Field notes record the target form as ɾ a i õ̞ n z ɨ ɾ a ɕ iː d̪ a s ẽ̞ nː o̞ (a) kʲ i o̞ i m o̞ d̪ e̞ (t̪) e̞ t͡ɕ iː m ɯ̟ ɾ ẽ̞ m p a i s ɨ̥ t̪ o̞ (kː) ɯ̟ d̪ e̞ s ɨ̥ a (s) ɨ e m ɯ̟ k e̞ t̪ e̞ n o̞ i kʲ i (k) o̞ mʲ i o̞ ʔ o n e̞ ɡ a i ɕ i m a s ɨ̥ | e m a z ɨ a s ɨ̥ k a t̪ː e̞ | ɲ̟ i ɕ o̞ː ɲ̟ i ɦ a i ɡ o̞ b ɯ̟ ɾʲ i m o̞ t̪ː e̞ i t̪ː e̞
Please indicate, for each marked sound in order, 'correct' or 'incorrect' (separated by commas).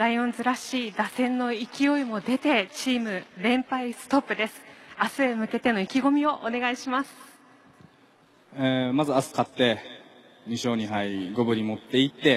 incorrect, correct, incorrect, correct, incorrect